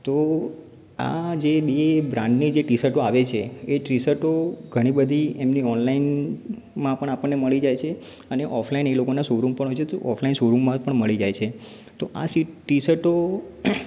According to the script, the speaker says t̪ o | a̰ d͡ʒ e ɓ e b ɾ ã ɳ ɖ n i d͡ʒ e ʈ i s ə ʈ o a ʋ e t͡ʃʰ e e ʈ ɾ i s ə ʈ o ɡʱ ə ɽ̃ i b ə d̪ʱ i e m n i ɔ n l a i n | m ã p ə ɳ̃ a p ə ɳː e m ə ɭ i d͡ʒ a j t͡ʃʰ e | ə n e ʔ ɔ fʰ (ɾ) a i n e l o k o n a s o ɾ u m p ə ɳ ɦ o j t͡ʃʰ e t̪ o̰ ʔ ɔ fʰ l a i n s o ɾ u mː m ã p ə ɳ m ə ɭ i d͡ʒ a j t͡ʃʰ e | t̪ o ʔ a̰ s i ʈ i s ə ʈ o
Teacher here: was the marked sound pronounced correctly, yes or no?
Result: no